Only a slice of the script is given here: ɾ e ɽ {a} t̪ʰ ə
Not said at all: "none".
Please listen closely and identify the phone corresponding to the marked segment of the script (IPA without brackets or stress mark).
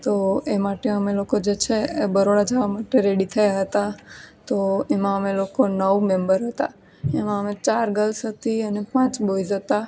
i